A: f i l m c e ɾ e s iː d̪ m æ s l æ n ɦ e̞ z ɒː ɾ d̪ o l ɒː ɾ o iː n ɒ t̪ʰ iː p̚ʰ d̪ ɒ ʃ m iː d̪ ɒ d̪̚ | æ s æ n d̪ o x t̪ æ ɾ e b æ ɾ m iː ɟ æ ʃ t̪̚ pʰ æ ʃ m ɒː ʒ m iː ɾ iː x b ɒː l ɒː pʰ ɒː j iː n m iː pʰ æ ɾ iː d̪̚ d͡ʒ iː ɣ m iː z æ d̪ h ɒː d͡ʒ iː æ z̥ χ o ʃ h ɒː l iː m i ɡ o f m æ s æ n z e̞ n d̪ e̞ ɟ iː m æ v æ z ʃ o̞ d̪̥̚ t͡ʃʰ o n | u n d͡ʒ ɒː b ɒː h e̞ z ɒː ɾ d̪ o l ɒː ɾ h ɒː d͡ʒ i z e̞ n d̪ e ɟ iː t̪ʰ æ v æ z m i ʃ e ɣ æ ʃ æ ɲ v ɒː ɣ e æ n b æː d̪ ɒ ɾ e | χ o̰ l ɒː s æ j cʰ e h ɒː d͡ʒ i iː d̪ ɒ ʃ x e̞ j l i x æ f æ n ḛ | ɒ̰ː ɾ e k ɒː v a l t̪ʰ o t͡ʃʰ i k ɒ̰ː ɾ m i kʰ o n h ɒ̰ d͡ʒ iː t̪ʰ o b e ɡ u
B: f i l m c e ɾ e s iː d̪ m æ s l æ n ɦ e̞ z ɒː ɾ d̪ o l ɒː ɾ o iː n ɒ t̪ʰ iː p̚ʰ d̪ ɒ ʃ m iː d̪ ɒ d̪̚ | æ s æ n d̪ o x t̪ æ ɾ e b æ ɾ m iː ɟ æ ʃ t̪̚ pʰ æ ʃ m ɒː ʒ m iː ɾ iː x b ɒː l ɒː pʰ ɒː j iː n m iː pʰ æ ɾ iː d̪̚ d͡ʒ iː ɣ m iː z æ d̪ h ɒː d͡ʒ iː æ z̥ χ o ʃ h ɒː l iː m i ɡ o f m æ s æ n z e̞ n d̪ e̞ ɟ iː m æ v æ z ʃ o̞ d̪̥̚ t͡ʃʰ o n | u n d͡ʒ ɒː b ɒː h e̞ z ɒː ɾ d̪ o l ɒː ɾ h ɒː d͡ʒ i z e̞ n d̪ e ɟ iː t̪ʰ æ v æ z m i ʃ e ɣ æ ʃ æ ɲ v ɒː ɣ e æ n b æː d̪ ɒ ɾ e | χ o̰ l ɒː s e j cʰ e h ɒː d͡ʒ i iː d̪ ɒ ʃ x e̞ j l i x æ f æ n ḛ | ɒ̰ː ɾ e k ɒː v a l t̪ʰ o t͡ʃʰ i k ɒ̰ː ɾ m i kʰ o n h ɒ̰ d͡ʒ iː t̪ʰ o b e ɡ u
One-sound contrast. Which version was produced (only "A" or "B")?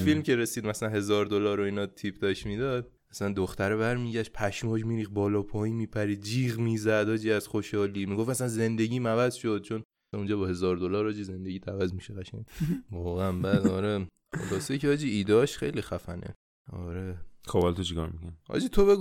B